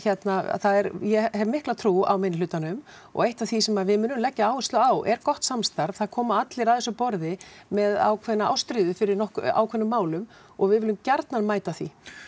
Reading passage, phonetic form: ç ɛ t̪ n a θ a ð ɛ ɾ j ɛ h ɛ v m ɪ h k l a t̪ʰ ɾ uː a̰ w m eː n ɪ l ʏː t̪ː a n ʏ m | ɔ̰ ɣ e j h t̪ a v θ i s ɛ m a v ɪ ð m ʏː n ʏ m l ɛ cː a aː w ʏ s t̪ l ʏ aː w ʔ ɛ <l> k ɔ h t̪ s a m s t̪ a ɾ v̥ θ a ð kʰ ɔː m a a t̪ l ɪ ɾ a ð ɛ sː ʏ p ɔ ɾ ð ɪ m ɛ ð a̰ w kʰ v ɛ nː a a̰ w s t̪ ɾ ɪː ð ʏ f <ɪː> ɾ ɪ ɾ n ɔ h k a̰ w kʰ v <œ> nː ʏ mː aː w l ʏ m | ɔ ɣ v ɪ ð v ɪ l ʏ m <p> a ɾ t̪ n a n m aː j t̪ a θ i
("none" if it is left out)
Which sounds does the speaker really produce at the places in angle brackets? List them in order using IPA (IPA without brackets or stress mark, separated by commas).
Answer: ɾ, ɪ, ɛ, c